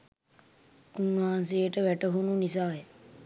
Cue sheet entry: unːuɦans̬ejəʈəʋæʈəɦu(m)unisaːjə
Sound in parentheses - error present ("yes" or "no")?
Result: yes